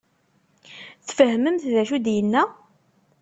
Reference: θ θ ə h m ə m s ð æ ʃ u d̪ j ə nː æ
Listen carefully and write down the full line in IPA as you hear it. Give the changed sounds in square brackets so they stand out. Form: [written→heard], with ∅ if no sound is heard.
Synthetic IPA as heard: θ [θ→f] ə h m ə m [s→θ] ð æ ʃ u d̪ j ə nː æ